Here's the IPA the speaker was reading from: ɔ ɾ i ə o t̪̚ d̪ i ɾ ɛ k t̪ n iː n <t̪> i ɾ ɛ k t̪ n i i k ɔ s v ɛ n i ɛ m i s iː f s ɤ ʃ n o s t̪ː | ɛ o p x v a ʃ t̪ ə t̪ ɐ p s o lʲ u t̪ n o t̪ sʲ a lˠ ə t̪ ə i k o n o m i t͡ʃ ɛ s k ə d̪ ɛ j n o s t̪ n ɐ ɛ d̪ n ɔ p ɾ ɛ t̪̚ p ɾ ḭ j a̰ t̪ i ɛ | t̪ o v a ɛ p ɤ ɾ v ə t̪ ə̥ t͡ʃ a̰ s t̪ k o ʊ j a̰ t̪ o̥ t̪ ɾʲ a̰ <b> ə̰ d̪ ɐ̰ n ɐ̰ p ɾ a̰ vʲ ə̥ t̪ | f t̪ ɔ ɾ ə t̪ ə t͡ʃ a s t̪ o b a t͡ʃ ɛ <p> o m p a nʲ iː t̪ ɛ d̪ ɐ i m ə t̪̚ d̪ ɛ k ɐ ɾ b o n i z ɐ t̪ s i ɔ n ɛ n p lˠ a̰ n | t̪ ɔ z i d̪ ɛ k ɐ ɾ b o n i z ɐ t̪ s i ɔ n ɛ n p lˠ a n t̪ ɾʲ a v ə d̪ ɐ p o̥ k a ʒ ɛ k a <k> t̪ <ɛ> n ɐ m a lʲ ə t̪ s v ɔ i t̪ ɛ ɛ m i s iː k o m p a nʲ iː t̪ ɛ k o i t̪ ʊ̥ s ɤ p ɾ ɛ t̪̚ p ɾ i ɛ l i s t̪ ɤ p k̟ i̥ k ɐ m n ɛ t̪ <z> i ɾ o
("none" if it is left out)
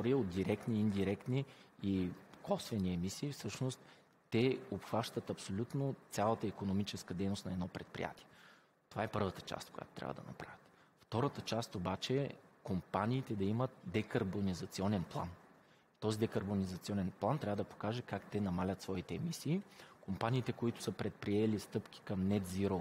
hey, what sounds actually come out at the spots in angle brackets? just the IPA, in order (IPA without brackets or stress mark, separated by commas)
d̪, v, k, k, ɛ, z